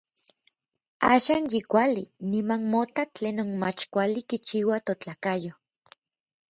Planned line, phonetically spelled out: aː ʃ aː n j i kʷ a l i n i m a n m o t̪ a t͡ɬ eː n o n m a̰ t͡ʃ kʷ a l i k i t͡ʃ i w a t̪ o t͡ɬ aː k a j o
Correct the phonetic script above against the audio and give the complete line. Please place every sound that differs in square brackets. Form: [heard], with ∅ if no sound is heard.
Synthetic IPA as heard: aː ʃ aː n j i kʷ a l i n i m a n m o t̪ a t͡ɬ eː n o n m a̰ t͡ʃ kʷ a l i k i t͡ʃ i w a t̪ o t͡ɬ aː k a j o